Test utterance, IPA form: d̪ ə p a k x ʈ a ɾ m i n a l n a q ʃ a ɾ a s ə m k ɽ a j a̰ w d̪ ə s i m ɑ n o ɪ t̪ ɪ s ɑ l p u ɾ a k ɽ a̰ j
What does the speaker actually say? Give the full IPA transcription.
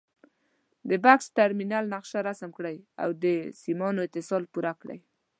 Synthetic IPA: d̪ ə b a k s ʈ a ɾ m i n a l n a q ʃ a ɾ a s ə m k ɽ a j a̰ w d̪ ə s i m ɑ n o ɪ t̪ ɪ s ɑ l p u ɾ a k ɽ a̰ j